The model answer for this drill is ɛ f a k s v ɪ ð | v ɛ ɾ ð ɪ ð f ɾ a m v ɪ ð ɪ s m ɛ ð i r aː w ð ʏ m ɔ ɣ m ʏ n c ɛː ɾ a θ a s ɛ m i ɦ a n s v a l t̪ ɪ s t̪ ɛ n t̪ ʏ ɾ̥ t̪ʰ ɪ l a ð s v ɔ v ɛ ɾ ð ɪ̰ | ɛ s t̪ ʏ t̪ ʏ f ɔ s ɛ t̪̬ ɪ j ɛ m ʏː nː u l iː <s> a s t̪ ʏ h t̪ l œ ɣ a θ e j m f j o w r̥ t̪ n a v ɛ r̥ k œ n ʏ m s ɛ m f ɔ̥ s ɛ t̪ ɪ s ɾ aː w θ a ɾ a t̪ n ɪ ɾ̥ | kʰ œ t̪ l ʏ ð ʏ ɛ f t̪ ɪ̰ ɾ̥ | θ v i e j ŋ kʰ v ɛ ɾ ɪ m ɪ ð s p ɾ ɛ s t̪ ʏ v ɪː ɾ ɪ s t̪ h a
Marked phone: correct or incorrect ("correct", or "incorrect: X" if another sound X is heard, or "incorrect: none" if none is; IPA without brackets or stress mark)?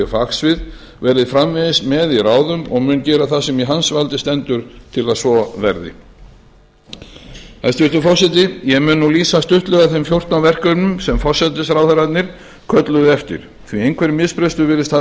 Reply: correct